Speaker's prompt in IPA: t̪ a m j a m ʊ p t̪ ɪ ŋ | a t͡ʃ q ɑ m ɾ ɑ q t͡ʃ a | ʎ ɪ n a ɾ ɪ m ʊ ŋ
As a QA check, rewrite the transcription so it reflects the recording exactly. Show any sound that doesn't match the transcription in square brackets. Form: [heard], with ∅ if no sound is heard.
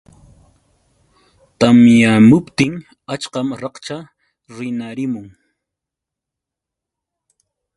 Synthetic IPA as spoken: t̪ a m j a m ʊ p t̪ ɪ ŋ | a t͡ʃ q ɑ m ɾ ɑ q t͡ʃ a | [ɾ] ɪ n a ɾ ɪ m ʊ ŋ